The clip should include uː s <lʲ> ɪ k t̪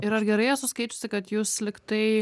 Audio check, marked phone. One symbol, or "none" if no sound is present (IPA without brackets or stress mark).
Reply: lʲ